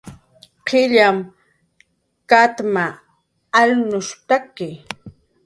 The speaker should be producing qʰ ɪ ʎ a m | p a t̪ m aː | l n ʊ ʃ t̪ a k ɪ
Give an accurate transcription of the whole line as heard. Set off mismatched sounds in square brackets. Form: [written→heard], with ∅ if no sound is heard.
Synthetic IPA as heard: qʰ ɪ ʎ a m | [p→k] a t̪ m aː | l n ʊ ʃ t̪ a k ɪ

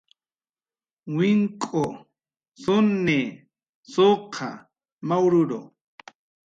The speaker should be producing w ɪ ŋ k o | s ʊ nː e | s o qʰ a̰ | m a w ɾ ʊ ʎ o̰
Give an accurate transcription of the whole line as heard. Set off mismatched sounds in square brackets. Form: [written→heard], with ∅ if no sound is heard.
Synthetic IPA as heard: w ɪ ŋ [k→kʼ] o | s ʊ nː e | s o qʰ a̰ | m a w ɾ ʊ [ʎ→ɾ] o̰

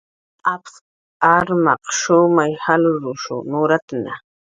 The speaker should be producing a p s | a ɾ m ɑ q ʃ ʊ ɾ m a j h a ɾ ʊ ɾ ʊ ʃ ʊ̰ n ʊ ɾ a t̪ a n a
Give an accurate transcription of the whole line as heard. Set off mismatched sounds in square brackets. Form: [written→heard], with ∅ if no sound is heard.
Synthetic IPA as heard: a p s | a ɾ m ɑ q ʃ ʊ [ɾ→∅] m a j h a [ɾ→l] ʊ ɾ ʊ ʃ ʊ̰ n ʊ ɾ a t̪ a n a

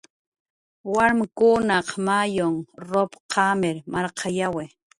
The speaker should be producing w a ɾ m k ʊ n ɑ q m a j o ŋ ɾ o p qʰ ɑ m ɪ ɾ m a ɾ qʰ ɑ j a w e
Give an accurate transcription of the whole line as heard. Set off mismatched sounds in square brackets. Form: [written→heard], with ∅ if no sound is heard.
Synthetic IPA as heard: w a ɾ m k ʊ n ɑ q m a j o ŋ ɾ o p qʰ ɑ m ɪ ɾ m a ɾ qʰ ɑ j a w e

